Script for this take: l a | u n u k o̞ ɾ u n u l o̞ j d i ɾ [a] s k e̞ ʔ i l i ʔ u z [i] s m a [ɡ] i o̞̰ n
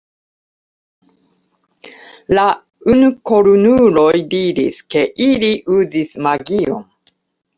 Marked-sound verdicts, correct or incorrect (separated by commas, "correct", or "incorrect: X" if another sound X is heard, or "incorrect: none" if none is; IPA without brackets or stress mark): incorrect: i, correct, correct